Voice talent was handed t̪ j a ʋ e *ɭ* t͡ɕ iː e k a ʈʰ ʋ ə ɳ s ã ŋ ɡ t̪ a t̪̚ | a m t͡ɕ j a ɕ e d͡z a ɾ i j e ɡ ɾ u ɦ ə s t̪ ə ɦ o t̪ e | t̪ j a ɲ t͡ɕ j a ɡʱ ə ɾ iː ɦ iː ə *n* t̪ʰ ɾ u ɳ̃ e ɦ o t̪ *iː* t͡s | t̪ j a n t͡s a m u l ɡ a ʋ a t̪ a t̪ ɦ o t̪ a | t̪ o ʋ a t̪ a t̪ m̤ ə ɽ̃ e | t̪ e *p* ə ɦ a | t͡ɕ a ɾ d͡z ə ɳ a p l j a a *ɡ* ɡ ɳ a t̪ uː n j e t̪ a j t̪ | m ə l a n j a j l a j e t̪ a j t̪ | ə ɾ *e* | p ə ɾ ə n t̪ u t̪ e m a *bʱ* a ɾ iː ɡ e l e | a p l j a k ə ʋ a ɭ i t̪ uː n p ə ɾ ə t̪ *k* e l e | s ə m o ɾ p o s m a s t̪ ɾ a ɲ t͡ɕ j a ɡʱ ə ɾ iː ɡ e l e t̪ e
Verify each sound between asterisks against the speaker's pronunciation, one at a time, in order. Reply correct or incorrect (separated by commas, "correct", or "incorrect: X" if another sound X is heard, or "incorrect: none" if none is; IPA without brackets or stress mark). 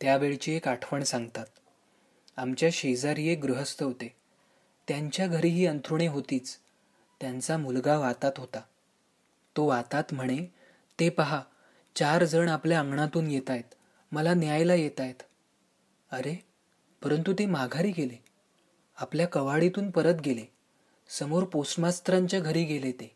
correct, correct, correct, correct, incorrect: ŋ, correct, incorrect: ɡʱ, incorrect: ɡ